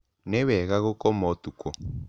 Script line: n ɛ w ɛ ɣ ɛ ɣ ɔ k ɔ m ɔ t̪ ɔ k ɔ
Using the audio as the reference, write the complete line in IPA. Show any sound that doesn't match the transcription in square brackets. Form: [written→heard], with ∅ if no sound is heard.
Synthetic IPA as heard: n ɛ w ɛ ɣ [ɛ→a] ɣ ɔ k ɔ m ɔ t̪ [ɔ→u] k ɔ